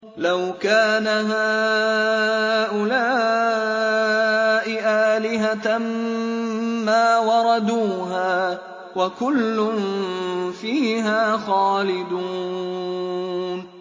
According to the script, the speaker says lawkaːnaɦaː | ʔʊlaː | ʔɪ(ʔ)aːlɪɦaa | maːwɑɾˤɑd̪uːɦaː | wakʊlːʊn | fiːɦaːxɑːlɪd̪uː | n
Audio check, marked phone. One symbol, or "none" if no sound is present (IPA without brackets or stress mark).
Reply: ʔ